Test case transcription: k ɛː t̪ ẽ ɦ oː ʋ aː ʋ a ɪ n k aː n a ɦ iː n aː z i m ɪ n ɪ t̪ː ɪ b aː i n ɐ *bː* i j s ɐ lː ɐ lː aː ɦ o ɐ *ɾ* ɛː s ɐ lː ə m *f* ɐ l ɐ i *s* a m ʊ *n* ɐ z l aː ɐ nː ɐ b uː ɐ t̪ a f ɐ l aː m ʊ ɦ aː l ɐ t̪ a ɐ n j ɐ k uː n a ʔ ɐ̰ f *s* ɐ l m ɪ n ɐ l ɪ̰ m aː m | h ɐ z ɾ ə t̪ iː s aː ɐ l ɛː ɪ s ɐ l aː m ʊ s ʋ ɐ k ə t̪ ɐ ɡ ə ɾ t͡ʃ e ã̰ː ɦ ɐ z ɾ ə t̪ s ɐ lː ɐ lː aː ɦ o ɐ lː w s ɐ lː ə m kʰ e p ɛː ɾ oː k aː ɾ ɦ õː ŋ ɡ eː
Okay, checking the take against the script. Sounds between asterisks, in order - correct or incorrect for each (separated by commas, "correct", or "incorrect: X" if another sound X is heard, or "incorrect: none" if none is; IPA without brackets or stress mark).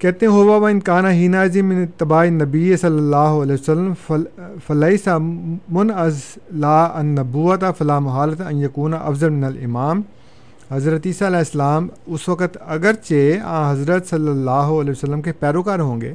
incorrect: b, incorrect: l, correct, correct, correct, incorrect: z